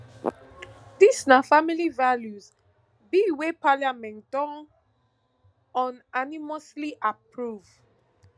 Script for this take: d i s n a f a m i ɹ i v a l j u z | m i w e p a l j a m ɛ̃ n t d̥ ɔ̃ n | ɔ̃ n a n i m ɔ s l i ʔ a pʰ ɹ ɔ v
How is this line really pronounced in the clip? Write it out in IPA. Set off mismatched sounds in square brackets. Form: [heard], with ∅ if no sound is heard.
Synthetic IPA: d i s n a f a m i [l] i v a l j u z | [b] i w e p a l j a m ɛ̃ n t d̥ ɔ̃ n | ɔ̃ n a n i m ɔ s l i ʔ a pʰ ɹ [u] v